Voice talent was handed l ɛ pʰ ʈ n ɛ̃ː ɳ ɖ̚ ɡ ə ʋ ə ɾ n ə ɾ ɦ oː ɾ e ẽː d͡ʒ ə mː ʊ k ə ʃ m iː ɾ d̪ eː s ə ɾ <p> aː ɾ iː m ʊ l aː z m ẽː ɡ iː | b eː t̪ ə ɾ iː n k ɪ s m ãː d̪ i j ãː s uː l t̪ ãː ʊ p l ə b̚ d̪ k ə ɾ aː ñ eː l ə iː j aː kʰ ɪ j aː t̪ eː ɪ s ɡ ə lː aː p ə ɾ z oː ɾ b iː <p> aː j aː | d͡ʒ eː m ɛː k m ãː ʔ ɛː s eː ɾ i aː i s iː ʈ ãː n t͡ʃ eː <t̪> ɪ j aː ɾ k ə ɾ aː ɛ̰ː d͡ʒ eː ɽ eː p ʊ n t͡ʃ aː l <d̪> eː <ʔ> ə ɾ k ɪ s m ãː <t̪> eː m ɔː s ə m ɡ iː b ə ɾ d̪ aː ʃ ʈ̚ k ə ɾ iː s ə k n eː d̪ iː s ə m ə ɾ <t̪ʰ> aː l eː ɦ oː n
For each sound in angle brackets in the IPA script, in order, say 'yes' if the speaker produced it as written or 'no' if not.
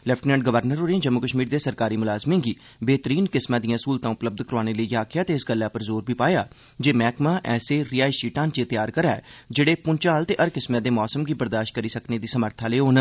no, yes, yes, no, yes, no, yes

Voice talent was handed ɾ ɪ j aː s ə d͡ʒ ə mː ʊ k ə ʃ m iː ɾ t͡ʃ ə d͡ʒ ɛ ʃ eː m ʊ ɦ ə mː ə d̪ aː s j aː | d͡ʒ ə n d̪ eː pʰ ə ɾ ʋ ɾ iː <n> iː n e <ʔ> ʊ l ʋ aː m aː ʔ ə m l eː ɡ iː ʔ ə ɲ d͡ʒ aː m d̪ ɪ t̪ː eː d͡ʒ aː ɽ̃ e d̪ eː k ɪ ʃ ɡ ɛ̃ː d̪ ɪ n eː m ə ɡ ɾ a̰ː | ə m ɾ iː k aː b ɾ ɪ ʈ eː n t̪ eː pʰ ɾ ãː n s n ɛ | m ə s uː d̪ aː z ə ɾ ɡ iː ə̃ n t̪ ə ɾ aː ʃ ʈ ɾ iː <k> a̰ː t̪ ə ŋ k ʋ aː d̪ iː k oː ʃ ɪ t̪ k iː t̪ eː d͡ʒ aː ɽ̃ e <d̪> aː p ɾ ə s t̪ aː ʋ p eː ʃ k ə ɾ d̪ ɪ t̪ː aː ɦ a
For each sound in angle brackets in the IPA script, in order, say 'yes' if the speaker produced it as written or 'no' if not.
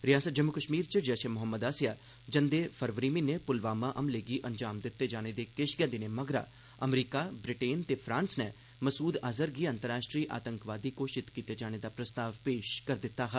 no, no, no, yes

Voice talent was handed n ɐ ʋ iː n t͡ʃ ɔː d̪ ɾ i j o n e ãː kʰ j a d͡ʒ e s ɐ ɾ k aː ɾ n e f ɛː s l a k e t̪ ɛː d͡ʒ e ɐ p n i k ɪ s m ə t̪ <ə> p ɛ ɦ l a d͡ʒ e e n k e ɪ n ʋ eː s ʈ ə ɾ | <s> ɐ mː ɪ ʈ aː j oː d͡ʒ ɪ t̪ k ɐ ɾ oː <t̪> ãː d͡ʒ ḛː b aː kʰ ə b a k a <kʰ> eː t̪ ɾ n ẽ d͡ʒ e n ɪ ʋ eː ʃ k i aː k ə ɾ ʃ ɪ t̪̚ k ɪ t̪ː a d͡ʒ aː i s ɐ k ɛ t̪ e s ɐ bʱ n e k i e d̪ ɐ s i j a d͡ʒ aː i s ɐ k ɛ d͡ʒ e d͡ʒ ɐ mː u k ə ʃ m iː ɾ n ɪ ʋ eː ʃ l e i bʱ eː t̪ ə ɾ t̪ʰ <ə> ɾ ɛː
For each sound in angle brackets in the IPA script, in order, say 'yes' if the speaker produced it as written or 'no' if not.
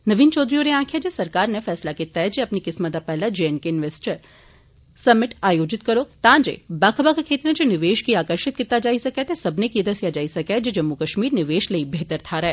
no, yes, yes, yes, no

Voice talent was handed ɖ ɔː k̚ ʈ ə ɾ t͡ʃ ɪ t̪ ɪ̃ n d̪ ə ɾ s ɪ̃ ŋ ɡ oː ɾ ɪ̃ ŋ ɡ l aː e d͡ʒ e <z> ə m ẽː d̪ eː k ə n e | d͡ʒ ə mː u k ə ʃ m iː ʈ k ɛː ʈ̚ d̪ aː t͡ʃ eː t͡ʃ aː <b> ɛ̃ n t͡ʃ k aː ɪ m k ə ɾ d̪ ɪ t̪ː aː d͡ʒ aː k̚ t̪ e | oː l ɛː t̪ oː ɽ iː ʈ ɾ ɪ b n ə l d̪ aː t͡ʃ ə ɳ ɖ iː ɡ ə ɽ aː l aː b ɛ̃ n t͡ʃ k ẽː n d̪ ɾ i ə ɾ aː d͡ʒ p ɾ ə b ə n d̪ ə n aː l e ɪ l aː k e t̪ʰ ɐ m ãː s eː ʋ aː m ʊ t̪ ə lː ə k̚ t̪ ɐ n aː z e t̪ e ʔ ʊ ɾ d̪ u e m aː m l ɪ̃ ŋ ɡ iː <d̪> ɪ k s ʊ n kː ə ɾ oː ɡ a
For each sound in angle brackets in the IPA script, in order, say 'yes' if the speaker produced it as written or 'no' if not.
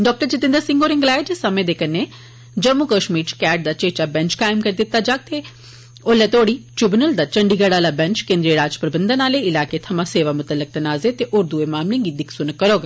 no, yes, yes

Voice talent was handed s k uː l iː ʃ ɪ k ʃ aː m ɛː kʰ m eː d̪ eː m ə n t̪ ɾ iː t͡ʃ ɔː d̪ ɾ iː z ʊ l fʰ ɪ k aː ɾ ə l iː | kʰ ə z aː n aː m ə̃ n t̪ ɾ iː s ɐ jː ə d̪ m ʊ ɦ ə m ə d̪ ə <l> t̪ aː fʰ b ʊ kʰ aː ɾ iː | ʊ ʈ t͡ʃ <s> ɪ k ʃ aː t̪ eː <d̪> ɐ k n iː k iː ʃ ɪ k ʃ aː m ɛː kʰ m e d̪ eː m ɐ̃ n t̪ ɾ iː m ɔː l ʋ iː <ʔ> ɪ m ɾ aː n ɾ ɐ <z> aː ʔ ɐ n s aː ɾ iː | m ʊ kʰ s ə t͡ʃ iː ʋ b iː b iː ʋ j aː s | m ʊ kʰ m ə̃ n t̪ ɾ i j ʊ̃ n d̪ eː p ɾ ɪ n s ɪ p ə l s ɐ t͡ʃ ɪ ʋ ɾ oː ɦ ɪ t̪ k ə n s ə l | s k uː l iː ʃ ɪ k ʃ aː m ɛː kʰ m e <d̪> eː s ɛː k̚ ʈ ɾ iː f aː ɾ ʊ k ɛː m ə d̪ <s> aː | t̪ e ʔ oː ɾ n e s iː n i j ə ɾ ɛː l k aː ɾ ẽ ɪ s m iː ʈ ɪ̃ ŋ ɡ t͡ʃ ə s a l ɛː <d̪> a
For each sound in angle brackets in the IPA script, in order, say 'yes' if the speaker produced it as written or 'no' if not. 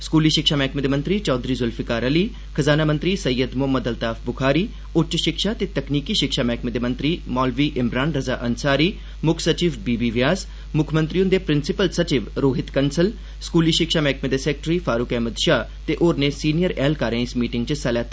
yes, no, no, yes, yes, yes, no, no

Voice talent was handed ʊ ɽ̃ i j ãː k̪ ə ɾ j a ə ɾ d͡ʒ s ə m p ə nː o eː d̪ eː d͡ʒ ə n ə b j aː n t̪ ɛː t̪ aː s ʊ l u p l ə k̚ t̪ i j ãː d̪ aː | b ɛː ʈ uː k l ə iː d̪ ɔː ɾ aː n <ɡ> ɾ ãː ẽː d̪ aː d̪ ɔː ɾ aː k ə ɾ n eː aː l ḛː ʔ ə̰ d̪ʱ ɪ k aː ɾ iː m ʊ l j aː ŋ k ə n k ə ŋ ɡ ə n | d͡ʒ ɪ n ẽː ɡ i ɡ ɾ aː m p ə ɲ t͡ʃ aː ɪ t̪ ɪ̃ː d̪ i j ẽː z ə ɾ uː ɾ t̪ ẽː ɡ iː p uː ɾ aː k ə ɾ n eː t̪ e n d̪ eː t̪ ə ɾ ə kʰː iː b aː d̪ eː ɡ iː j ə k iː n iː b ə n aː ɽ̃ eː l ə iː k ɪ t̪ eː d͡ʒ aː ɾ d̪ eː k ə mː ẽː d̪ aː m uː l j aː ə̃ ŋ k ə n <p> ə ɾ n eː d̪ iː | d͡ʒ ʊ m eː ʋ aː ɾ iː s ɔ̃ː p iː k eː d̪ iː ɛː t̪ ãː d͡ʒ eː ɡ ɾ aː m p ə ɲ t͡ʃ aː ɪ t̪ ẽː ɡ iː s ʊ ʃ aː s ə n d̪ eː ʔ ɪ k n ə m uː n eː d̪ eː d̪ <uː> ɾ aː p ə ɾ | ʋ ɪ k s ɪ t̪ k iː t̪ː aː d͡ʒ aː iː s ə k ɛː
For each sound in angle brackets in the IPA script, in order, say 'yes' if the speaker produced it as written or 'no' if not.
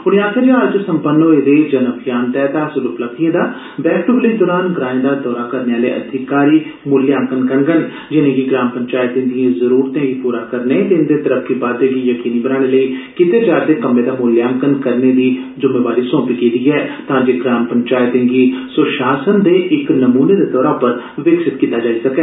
yes, no, no

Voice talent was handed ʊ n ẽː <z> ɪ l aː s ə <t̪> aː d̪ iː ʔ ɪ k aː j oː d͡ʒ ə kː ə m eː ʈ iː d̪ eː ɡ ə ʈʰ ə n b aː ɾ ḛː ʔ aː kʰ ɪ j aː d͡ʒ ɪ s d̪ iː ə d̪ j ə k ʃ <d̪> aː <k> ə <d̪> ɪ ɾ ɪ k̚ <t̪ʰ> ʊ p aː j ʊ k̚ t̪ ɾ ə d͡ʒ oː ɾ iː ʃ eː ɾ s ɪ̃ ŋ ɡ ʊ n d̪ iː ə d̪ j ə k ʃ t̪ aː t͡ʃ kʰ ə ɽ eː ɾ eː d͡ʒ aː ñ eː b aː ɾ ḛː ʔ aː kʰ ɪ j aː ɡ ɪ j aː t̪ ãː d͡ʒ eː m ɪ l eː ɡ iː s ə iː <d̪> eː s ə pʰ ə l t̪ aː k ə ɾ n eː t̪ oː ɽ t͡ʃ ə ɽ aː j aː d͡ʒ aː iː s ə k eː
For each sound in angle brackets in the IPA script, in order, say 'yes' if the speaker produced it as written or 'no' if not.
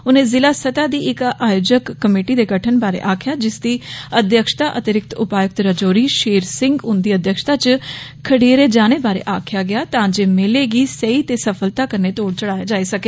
yes, yes, no, no, no, no, no

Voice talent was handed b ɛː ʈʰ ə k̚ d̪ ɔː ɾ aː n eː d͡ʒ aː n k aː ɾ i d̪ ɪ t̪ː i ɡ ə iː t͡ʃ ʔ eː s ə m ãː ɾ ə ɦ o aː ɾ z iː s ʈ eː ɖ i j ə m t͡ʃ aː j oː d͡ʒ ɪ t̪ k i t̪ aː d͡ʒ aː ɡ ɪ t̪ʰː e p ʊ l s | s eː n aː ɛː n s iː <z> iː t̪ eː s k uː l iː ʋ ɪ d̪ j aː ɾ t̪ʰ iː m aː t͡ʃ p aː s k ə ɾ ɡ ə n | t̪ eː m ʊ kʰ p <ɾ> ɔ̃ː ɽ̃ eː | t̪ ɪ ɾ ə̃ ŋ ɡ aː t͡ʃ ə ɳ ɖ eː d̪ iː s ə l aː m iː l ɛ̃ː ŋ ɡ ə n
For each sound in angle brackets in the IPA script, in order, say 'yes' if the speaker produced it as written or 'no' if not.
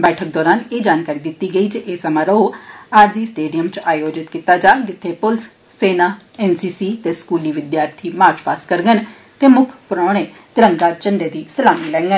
no, yes

